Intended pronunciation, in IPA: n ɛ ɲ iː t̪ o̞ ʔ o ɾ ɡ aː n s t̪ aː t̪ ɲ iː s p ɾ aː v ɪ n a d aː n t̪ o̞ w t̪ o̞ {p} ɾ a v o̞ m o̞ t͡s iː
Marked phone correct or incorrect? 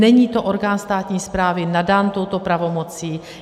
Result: correct